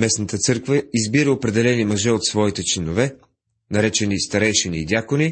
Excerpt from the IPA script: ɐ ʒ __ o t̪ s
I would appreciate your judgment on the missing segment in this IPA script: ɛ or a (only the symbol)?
ɛ